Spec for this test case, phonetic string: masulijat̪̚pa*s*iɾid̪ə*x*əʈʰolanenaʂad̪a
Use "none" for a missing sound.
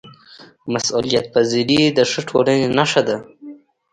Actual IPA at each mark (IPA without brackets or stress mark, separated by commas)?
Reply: z, ʂ